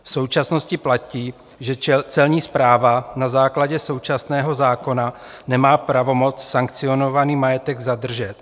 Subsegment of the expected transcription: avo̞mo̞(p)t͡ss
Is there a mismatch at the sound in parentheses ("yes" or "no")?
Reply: yes